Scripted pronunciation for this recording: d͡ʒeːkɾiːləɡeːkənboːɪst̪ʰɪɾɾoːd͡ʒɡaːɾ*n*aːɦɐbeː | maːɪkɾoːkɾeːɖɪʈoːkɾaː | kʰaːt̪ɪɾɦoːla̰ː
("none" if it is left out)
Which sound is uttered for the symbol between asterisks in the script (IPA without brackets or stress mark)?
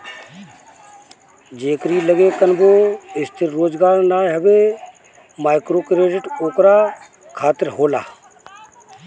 n